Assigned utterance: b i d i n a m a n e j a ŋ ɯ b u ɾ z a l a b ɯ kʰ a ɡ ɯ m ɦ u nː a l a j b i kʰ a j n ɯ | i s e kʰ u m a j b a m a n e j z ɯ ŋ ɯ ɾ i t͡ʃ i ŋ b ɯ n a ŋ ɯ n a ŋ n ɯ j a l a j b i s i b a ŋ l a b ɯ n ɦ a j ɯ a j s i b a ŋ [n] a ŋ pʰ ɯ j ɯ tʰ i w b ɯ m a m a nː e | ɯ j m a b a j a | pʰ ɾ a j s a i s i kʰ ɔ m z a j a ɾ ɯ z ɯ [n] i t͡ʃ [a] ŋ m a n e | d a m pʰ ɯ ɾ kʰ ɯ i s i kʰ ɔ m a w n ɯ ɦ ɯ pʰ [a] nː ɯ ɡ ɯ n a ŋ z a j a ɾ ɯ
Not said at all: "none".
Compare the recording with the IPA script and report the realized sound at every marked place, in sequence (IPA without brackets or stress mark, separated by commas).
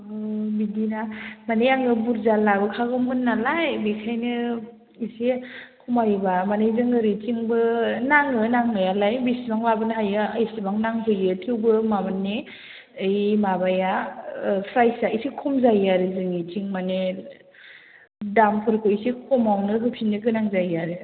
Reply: n, ŋ, i, i